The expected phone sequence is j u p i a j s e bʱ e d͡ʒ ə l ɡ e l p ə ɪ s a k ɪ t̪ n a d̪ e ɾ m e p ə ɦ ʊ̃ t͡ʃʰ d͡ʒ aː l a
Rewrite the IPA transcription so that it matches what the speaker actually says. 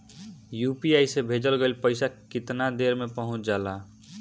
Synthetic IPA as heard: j u p i a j s e bʱ e d͡ʒ ə l ɡ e l p ə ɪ s a k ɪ t̪ n a d̪ e ɾ m e p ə ɦ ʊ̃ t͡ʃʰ d͡ʒ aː l a